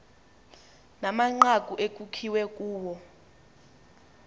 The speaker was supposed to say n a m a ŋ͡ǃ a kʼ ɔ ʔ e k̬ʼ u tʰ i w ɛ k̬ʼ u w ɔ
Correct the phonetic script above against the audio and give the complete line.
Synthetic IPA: n a m a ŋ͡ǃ a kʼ u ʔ e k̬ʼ u kʰ i w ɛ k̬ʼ uː w ɔ